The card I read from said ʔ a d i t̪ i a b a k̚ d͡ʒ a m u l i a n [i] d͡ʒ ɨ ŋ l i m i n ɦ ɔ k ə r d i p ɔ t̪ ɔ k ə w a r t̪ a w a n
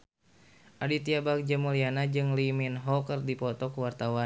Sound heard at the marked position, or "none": a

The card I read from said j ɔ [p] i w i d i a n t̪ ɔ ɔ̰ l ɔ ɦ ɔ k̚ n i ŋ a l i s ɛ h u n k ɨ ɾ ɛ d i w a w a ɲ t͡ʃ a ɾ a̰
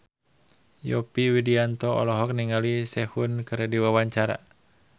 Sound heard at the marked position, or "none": p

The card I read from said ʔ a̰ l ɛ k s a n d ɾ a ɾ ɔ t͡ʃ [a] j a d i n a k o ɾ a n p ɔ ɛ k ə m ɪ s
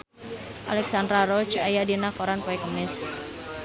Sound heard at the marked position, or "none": a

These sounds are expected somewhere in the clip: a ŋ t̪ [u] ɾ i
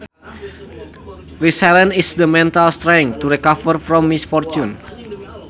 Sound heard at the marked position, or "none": u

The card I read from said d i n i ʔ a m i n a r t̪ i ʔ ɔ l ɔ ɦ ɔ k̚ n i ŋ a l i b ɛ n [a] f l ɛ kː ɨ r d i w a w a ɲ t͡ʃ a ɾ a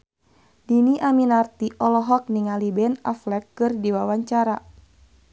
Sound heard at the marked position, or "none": a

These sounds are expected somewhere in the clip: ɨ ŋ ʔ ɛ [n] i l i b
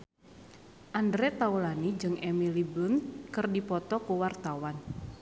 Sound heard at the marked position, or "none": m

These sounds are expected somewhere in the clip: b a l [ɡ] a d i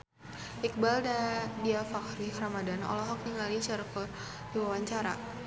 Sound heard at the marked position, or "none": d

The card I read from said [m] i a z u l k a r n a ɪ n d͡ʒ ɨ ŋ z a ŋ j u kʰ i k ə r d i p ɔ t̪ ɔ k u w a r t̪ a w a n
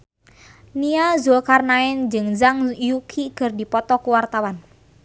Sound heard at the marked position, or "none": n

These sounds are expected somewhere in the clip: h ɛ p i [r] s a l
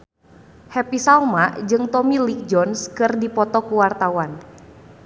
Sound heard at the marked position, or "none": none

